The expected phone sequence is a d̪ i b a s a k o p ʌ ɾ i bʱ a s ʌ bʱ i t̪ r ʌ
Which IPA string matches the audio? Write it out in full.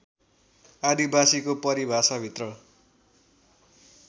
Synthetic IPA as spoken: a d̪ i b a s i k o p ʌ ɾ i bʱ a s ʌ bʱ i t̪ r ʌ